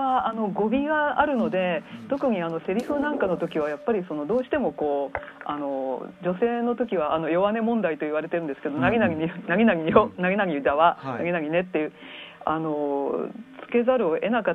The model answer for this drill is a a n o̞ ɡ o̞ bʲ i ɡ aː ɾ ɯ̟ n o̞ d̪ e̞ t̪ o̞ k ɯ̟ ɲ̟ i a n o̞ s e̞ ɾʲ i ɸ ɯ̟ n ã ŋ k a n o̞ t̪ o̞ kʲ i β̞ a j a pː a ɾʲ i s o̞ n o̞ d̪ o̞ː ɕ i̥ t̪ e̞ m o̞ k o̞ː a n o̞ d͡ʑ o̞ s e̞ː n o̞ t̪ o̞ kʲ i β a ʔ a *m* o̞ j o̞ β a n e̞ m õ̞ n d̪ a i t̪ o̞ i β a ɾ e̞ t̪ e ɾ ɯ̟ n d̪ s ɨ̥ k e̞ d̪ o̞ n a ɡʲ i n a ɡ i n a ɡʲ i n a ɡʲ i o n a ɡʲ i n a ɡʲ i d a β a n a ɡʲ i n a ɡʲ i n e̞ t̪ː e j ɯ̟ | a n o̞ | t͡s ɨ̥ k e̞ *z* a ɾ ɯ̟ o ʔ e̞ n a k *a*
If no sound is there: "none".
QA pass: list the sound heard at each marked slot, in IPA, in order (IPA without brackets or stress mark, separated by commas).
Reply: n, z, a